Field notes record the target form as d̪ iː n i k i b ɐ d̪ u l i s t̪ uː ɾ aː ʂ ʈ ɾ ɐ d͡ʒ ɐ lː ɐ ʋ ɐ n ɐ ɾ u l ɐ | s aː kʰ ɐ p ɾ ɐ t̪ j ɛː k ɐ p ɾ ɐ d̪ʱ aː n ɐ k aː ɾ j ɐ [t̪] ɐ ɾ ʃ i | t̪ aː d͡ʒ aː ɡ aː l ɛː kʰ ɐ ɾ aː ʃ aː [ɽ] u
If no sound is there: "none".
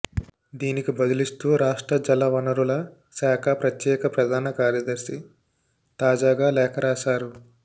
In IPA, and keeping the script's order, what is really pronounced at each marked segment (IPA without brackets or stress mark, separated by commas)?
d̪, ɾ